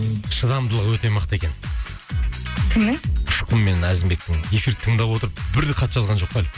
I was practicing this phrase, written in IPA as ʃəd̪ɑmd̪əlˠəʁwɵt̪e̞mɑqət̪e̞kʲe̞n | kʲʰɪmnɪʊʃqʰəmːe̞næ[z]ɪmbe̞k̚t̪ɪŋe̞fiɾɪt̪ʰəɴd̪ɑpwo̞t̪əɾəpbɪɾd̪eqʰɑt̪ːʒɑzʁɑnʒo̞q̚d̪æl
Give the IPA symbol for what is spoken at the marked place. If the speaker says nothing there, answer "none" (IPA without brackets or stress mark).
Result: z